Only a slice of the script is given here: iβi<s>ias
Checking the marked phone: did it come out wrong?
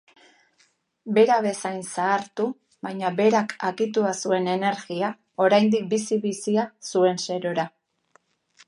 no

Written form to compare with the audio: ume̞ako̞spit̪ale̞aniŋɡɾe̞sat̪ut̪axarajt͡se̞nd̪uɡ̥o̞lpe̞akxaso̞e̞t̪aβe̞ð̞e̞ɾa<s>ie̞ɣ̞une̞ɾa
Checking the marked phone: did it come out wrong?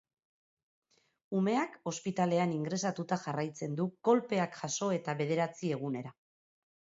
yes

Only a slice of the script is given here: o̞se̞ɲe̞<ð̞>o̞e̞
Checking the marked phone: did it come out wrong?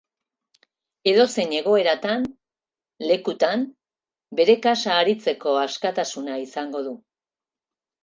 yes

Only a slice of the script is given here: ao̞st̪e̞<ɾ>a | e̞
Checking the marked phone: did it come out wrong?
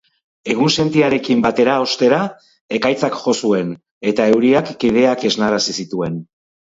no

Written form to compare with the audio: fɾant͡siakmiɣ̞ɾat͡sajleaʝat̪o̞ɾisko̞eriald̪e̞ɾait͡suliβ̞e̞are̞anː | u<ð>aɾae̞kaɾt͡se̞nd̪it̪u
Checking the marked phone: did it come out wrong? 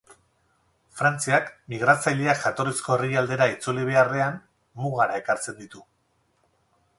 yes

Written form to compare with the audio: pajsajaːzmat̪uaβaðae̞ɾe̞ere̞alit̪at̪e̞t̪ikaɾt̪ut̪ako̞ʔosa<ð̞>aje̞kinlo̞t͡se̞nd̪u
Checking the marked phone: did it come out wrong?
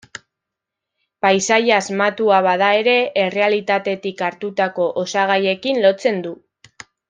yes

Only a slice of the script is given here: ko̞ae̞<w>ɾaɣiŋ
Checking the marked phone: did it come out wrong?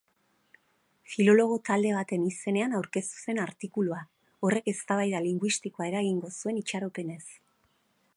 yes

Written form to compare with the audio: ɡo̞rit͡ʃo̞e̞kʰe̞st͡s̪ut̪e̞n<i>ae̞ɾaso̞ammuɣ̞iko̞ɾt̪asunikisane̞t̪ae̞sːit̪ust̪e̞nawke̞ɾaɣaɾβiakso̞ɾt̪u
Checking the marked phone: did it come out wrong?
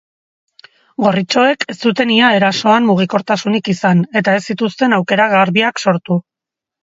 no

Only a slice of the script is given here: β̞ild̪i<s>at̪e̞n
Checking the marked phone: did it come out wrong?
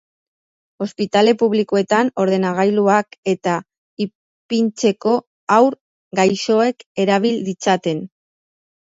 yes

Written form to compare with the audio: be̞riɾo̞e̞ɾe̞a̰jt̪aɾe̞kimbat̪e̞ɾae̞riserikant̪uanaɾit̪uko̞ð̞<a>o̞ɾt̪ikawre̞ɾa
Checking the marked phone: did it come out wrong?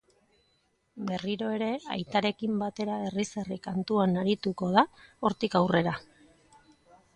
no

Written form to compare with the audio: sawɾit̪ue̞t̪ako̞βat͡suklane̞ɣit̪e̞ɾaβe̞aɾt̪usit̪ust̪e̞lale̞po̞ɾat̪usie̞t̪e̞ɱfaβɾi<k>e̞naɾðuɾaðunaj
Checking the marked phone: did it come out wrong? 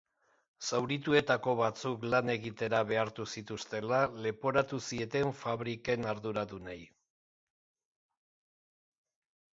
no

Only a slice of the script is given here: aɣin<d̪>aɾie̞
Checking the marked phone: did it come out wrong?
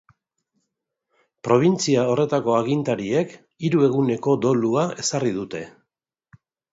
yes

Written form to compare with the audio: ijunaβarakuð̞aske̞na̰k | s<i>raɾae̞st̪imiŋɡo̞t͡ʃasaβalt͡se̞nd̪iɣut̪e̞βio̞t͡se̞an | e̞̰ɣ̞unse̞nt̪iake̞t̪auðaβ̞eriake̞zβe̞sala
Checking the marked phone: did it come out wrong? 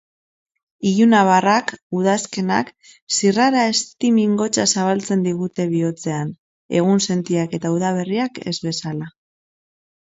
no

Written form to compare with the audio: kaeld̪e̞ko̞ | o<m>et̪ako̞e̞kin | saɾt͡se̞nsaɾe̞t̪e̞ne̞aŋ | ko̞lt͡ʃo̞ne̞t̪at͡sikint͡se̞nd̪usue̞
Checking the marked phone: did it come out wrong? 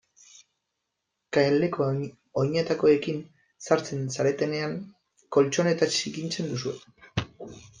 yes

